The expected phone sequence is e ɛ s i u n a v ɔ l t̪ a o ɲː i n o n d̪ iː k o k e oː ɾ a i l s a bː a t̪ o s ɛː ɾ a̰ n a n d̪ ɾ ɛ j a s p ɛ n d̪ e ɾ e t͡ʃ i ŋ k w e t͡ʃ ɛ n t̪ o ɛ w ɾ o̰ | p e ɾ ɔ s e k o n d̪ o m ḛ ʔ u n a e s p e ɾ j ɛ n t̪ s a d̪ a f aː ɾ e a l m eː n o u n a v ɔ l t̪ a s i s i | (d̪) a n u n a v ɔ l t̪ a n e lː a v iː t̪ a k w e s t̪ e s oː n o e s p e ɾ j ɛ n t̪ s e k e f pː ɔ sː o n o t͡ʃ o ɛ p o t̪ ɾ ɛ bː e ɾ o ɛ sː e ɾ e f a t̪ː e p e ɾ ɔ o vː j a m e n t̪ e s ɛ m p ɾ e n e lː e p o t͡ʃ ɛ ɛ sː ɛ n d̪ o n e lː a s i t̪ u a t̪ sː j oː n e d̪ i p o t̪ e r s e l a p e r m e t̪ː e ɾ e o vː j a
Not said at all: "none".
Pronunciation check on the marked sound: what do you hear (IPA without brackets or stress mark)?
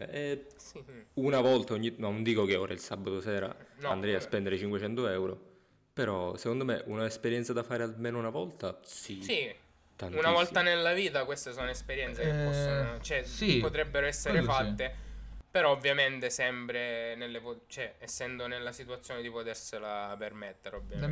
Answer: t̪